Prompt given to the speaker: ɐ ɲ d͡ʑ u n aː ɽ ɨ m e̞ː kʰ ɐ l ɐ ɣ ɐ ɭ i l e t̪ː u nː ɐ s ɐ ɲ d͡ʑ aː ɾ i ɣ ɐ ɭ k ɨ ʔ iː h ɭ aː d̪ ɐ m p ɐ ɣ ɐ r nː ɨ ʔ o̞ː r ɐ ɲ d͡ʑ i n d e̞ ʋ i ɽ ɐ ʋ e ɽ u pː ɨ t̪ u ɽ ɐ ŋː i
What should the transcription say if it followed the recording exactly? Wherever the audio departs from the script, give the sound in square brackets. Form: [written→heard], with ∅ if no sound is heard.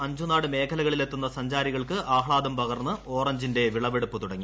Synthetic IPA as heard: ɐ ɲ d͡ʑ u n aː ɽ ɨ m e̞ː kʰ ɐ l ɐ ɣ ɐ ɭ i l e t̪ː u nː ɐ s ɐ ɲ d͡ʑ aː ɾ i ɣ ɐ ɭ k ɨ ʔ [iː→aː] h ɭ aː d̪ ɐ m p ɐ ɣ ɐ r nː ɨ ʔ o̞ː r ɐ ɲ d͡ʑ i n d e̞ ʋ i [ɽ→ɭ] ɐ ʋ e ɽ u pː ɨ t̪ u ɽ ɐ ŋː i